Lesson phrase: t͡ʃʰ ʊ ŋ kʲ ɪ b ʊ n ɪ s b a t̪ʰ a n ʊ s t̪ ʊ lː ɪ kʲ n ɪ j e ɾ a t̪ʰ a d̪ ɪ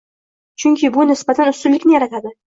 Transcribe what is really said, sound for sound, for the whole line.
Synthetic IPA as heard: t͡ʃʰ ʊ ŋ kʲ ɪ b ʊ n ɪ s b a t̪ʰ a n ʊ s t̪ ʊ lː ɪ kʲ n ɪ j a ɾ a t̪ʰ a d̪ ɪ